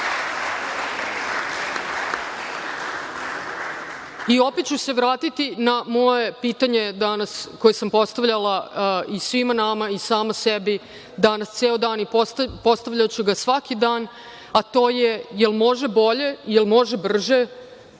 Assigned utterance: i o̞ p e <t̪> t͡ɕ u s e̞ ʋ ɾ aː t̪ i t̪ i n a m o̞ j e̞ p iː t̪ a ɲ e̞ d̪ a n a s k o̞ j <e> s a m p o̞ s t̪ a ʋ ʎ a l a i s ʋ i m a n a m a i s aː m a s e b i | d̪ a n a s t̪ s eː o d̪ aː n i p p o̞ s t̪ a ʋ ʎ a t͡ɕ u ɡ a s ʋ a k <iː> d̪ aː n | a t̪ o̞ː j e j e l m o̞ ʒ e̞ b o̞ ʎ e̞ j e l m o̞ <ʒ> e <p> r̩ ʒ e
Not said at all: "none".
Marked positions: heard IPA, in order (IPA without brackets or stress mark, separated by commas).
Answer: t̪, e, i, ʒ, b